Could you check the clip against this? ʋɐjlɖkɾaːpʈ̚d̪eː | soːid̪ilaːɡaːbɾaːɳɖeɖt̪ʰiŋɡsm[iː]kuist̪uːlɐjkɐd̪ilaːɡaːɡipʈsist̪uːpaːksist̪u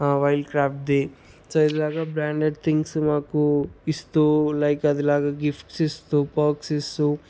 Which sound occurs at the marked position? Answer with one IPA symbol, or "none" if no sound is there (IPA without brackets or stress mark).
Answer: aː